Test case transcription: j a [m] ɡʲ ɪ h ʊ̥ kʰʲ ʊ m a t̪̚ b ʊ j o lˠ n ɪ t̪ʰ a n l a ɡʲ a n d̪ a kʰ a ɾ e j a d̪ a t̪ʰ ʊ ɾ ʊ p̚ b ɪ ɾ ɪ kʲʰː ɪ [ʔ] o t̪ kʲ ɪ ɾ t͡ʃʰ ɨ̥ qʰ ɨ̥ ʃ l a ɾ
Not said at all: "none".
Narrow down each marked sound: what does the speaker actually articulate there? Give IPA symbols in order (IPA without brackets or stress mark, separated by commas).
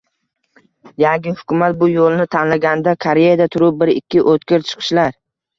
ŋ, ʔ